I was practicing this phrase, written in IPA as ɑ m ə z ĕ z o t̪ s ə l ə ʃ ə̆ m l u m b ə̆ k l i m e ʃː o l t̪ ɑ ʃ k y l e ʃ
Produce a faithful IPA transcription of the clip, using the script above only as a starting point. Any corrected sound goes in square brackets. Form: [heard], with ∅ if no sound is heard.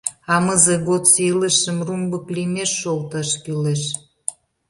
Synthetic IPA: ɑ m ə z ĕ [ɣ] o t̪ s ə l ə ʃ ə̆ m [r] u m b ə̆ k l i m e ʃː o l t̪ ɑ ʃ k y l e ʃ